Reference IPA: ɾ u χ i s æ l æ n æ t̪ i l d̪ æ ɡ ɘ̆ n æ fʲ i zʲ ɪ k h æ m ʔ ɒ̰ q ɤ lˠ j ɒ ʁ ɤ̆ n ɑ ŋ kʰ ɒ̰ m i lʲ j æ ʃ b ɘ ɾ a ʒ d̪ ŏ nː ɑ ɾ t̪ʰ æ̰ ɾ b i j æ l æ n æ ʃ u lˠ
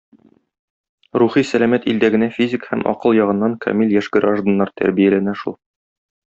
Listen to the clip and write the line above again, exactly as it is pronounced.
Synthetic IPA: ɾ u χ i s æ l æ m æ t̪ i l d̪ æ ɡ ɘ̆ n æ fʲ i zʲ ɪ k h æ m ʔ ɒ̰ q ɤ lˠ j ɒ ʁ ɤ̆ nː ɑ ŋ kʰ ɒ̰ m i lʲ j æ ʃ ɡ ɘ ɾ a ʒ d̪ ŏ nː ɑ ɾ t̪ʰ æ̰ ɾ b i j æ l æ n æ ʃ u lˠ